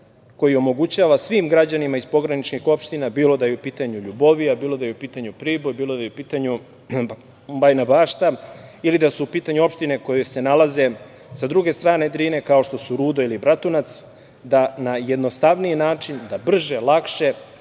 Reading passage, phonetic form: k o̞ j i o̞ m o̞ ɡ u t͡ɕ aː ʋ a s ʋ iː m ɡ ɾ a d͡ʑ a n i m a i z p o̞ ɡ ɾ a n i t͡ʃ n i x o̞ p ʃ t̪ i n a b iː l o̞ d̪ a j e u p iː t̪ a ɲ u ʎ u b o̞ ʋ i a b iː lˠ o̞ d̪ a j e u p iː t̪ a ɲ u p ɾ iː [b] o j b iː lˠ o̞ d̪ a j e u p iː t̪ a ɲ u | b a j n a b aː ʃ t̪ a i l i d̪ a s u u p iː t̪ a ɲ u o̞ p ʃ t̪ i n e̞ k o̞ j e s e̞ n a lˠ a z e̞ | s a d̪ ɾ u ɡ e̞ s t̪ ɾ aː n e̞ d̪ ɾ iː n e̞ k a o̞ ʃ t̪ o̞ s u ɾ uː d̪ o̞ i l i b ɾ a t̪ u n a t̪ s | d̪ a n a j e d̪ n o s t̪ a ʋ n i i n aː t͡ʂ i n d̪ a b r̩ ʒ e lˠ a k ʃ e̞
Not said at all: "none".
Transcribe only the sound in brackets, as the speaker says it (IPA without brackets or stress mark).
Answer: b